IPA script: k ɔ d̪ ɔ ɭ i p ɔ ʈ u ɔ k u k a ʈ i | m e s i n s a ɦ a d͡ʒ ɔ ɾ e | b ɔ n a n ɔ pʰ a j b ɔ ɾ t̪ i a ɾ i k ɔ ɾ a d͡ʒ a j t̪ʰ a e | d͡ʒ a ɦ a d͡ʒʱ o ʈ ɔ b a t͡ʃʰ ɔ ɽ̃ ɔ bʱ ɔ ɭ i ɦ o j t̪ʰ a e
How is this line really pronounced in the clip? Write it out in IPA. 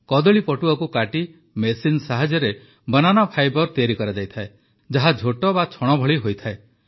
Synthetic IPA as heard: k ɔ d̪ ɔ ɭ i p ɔ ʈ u ɔ k u k a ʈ i | m e s i n s a ɦ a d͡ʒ ɔ ɾ e | b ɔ n a n ɔ pʰ a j b ɔ ɾ t̪ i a ɾ i k ɔ ɾ a d͡ʒ a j t̪ʰ a e | d͡ʒ a ɦ a d͡ʒʱ o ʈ ɔ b a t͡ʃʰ ɔ ɽ̃ ɔ bʱ ɔ ɭ i ɦ o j t̪ʰ a e